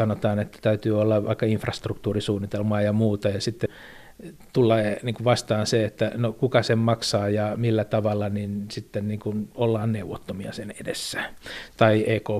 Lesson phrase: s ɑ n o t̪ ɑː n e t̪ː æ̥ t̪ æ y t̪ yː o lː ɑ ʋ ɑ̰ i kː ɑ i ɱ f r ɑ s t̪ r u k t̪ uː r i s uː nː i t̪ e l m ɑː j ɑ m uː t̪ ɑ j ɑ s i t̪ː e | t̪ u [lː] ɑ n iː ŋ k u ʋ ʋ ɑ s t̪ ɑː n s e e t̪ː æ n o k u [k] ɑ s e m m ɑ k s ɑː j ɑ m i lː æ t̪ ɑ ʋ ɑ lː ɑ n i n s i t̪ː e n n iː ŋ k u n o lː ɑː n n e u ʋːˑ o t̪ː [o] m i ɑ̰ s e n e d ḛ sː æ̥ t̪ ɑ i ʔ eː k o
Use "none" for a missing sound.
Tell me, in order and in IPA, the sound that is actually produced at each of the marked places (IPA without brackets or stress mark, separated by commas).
lː, k, o